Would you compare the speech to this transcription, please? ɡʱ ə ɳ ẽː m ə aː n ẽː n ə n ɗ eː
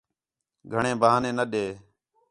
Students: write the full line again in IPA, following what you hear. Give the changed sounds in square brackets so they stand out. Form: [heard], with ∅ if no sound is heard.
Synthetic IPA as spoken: ɡʱ ə ɳ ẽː [b] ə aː n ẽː n ə [∅] ɗ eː